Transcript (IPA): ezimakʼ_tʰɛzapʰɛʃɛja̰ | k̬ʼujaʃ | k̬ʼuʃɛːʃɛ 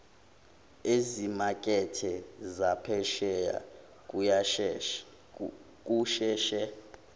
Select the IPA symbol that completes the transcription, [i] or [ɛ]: ɛ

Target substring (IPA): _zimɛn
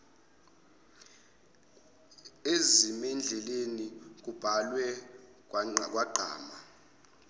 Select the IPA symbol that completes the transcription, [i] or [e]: e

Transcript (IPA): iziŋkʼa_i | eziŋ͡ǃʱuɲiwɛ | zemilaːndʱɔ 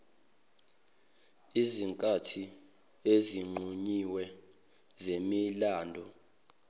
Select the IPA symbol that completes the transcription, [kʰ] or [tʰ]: tʰ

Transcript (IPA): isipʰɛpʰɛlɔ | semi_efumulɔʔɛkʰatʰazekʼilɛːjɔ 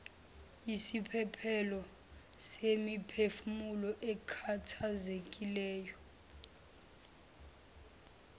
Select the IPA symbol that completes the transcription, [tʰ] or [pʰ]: pʰ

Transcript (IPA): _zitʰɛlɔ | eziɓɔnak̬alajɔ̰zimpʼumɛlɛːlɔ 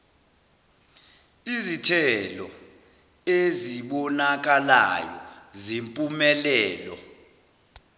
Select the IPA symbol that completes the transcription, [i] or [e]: i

